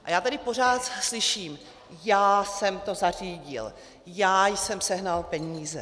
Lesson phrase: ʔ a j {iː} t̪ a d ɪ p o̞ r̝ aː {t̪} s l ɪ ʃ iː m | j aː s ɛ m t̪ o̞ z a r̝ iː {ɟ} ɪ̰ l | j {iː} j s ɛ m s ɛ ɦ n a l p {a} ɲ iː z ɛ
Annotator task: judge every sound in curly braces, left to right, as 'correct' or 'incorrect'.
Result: incorrect: aː, correct, correct, incorrect: aː, incorrect: ɛ

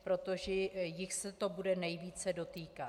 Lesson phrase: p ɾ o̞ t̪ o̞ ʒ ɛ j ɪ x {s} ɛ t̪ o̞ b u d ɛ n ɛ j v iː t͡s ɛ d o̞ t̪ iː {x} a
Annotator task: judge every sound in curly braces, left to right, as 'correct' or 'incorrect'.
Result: correct, incorrect: k

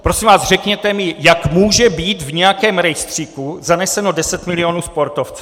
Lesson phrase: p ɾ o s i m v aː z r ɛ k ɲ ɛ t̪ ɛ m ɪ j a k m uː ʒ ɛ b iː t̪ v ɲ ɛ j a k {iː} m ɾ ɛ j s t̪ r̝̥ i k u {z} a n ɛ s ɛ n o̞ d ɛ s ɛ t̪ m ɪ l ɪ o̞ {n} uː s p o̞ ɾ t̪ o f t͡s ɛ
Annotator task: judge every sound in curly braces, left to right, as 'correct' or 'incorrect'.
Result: incorrect: ɛː, correct, correct

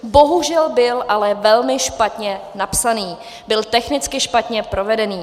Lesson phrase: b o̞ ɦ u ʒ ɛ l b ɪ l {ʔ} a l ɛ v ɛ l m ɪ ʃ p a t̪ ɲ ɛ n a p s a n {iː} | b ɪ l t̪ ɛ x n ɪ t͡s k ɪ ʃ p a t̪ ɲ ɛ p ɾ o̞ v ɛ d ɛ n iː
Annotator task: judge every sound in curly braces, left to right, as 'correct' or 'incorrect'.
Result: correct, correct

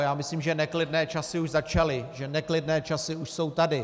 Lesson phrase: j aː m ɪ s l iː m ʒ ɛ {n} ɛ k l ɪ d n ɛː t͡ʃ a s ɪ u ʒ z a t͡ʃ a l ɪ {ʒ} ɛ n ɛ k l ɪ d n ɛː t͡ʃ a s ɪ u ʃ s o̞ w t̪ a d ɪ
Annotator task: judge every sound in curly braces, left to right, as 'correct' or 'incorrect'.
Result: correct, correct

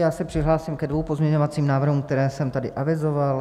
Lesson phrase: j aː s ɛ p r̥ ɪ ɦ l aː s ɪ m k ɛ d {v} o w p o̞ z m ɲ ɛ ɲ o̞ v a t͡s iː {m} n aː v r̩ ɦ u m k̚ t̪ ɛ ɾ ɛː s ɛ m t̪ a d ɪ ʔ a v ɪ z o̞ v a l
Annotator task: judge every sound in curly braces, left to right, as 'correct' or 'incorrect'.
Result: correct, correct

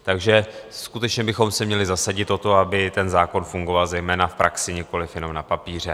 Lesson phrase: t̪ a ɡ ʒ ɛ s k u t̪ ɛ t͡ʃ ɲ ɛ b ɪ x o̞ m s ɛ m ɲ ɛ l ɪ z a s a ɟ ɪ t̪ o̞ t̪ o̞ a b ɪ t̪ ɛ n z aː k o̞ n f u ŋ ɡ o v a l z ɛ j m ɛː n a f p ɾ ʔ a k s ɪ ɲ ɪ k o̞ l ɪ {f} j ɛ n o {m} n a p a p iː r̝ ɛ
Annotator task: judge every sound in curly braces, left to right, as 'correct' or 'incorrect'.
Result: correct, correct

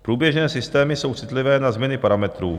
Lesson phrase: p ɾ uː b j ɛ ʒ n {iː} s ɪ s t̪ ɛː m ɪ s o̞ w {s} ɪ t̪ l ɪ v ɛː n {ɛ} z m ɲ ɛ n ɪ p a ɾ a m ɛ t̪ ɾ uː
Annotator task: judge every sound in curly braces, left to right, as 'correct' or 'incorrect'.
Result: incorrect: ɛː, incorrect: t͡s, incorrect: a

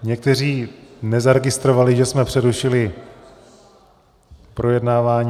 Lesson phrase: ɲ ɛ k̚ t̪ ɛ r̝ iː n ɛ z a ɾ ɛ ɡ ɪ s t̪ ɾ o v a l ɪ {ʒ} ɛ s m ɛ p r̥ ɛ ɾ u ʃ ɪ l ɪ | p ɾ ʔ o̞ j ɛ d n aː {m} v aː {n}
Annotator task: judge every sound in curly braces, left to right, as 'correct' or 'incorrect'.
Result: correct, incorrect: none, incorrect: ɲ

